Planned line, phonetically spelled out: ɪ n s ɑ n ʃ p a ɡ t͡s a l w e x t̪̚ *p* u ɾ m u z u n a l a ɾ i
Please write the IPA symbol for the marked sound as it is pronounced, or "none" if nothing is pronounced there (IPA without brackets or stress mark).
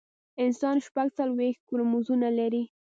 k